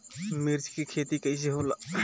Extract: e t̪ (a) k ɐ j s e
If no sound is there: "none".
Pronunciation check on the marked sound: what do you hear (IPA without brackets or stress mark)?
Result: i